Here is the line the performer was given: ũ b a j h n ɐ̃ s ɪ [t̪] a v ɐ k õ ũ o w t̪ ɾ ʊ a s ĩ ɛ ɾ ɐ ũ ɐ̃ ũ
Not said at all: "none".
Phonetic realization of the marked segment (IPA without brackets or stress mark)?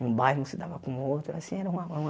d̪